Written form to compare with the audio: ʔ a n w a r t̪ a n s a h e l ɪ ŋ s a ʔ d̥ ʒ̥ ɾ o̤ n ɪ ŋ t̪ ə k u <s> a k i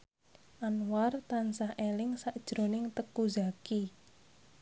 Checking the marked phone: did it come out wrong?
yes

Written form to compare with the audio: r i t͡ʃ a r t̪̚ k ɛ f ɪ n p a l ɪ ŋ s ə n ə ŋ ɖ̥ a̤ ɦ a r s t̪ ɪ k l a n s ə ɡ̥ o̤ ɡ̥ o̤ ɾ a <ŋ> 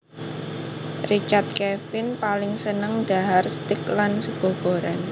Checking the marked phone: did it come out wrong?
yes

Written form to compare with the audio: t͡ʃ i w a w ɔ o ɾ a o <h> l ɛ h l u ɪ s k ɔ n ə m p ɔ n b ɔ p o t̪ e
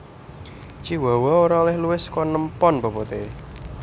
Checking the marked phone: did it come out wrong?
yes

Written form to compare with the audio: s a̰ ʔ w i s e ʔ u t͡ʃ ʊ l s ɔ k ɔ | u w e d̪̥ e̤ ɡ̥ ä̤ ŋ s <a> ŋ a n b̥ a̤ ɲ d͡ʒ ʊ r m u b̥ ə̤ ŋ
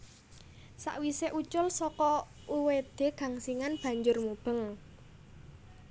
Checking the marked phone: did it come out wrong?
yes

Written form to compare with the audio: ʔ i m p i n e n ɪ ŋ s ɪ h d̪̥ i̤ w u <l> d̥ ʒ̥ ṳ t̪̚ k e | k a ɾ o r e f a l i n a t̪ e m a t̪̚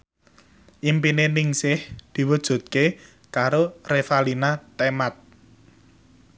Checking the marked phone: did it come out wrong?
yes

